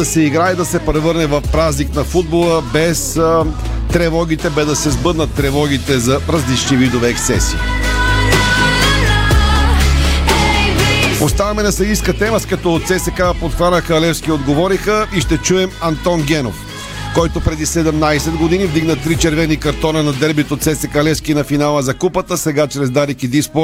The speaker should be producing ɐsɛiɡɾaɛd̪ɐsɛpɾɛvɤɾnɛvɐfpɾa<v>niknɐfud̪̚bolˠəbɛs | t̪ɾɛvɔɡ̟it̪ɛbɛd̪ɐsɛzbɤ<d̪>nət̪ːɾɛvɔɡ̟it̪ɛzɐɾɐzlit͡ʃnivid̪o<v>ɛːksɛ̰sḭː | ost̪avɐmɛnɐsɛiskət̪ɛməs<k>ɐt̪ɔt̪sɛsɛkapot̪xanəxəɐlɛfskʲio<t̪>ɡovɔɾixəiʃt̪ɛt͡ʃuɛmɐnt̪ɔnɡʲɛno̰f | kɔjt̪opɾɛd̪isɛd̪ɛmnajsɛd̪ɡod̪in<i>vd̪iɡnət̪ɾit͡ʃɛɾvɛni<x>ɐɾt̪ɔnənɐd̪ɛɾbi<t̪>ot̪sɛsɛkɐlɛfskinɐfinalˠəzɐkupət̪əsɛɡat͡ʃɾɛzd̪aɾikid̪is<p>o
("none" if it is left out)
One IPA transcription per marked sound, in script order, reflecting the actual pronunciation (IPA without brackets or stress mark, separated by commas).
z, d̪, v, k, d̪, i, k, t̪, p